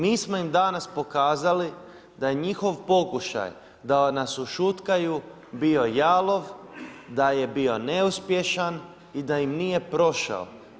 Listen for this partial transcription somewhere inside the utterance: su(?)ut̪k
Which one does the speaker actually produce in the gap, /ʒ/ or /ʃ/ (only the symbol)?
ʃ